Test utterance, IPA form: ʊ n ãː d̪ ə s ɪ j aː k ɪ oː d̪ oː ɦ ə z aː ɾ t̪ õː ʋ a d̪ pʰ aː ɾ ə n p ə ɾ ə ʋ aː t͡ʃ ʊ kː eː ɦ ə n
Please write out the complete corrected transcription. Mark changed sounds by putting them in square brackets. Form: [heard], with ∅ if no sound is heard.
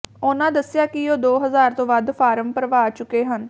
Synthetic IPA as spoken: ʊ n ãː d̪ ə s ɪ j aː k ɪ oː d̪ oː ɦ ə z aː ɾ t̪ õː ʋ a d̪ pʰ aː ɾ ə [m] p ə ɾ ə ʋ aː t͡ʃ ʊ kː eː ɦ ə n